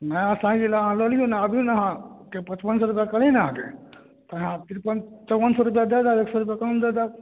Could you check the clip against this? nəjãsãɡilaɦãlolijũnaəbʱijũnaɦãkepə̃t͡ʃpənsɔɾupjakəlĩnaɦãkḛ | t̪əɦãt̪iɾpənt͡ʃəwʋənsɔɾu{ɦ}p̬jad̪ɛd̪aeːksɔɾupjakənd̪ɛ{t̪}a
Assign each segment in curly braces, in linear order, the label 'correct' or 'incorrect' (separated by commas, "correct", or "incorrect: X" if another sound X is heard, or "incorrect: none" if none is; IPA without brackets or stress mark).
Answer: incorrect: none, incorrect: d̪